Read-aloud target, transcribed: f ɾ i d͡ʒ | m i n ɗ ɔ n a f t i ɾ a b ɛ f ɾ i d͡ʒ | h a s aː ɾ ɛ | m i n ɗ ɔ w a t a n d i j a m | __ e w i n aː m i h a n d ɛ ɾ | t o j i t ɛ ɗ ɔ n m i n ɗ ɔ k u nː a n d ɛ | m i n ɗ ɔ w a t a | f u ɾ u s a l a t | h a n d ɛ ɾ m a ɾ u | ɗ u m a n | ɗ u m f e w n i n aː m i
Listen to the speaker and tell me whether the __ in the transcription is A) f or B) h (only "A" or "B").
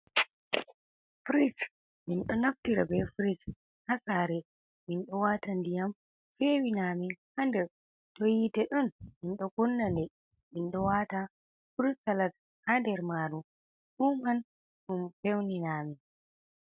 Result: A